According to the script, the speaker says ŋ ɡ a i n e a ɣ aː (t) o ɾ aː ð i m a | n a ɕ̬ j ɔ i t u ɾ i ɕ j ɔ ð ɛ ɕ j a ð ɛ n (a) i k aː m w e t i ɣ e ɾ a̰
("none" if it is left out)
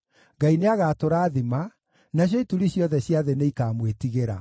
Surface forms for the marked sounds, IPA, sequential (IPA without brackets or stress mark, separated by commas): t, e